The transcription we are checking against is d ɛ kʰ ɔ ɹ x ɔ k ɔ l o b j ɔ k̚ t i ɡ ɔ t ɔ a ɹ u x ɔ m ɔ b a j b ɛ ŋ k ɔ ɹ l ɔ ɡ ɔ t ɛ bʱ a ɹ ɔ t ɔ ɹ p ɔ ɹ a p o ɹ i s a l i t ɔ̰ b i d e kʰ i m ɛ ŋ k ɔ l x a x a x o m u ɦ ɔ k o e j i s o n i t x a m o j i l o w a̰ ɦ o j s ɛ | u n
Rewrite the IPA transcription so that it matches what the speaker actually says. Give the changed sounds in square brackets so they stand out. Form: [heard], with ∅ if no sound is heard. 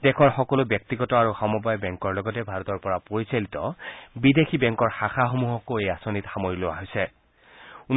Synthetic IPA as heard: d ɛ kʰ ɔ ɹ x ɔ k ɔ l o b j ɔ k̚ t i ɡ ɔ t ɔ a ɹ u x ɔ m ɔ b a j b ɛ ŋ k ɔ ɹ l ɔ ɡ ɔ t ɛ bʱ a ɹ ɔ t ɔ ɹ p ɔ ɹ a p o ɹ i s a l i t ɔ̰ b i d e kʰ i [b] ɛ ŋ k ɔ [ɹ] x a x a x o m u ɦ ɔ k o e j [a] s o n i t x a m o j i l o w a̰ ɦ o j s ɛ | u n